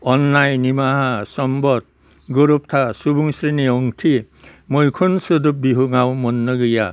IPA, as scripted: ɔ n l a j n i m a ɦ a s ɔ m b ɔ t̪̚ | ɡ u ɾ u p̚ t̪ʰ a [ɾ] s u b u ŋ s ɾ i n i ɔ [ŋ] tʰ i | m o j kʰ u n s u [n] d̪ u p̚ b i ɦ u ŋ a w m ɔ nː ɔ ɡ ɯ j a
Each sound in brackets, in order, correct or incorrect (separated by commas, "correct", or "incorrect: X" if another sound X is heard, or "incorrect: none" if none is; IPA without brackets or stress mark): incorrect: none, correct, incorrect: none